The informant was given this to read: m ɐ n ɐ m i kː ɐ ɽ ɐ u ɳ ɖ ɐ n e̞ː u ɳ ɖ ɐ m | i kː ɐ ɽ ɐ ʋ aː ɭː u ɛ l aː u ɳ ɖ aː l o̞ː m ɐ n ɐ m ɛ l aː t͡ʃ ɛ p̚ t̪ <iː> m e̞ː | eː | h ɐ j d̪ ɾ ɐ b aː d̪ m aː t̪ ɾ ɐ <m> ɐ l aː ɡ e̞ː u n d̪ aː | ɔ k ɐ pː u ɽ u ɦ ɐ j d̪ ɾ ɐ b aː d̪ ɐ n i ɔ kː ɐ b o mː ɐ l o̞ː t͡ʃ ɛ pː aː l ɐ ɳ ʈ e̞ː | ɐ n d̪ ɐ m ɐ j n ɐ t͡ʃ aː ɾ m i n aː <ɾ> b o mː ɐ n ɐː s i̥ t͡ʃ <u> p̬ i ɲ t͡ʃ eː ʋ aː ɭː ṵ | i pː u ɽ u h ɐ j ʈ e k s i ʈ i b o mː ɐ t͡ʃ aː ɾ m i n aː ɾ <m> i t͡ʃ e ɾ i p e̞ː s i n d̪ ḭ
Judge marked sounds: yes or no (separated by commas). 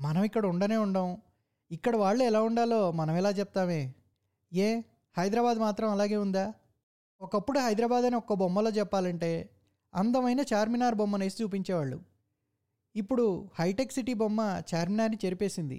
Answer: no, yes, yes, no, no